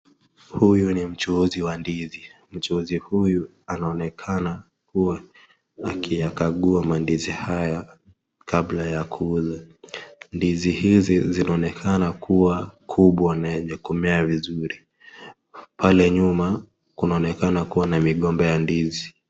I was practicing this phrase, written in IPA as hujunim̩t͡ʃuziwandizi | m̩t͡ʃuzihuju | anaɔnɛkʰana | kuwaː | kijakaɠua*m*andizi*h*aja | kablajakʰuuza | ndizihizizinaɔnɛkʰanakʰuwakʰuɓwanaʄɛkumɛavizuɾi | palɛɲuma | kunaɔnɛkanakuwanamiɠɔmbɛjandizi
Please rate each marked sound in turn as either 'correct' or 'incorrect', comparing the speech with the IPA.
correct, correct

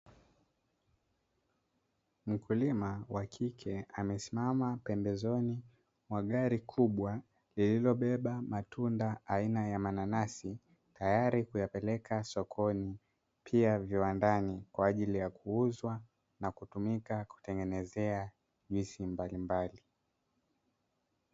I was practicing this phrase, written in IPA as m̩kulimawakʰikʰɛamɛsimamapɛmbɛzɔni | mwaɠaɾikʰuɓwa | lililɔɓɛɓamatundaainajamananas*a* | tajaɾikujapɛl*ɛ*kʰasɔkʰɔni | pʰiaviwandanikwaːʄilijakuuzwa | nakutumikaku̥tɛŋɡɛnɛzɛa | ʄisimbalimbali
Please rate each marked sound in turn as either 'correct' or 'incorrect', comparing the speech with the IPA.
incorrect, correct

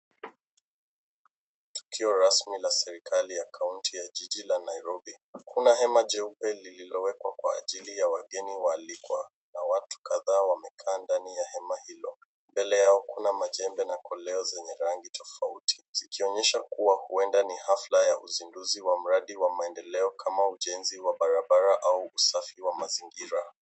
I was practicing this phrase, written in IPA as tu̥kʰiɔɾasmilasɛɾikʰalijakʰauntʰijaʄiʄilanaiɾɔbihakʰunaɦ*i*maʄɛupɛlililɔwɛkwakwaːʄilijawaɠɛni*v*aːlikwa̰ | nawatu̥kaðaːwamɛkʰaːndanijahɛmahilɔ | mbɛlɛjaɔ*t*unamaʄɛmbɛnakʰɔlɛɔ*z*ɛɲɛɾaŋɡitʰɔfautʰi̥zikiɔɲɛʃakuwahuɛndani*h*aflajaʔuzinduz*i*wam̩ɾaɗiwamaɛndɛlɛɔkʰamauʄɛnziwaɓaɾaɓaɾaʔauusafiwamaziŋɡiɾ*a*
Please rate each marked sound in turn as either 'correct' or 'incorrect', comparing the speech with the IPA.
incorrect, incorrect, incorrect, correct, correct, correct, correct

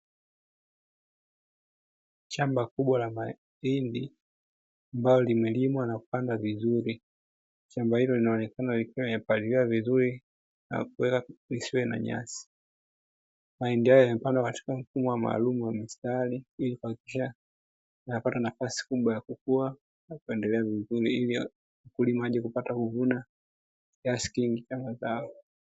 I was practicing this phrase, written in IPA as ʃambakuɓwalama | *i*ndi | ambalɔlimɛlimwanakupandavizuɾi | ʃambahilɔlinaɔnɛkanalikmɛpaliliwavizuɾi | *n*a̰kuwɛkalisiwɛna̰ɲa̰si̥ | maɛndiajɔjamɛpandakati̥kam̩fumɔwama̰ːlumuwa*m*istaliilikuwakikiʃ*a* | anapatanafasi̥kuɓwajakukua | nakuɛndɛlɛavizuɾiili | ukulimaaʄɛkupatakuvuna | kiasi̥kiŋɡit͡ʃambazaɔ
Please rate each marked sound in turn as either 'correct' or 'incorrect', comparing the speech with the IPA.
correct, correct, correct, correct

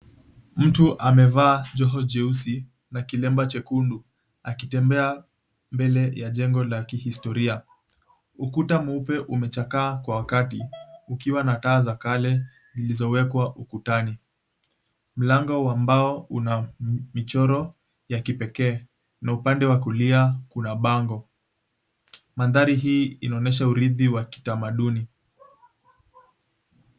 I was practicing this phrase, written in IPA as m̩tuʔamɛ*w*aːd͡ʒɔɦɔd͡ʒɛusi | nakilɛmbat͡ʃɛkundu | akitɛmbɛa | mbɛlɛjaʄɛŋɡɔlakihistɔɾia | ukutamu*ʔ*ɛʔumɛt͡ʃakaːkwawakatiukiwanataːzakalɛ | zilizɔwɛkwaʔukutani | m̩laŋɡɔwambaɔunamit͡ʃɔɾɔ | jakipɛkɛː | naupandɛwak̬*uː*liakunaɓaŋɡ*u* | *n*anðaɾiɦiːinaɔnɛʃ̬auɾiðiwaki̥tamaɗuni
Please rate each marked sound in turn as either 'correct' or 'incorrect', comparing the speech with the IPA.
incorrect, incorrect, incorrect, incorrect, incorrect

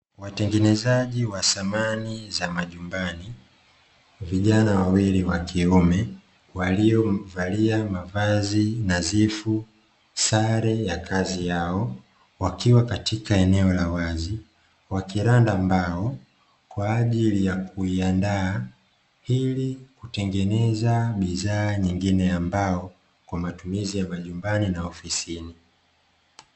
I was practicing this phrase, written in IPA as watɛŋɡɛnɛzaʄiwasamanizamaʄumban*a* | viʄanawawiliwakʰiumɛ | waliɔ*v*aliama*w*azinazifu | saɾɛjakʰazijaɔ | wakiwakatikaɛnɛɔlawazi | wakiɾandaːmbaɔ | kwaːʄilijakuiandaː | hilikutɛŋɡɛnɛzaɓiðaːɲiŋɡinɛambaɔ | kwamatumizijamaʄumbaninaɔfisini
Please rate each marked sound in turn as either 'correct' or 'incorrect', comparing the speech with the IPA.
incorrect, correct, incorrect

